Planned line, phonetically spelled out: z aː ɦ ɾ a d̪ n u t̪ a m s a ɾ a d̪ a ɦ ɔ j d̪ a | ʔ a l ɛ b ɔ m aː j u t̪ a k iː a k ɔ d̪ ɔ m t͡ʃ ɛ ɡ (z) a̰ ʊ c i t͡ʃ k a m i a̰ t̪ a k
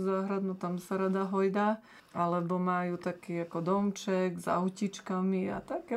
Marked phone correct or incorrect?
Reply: correct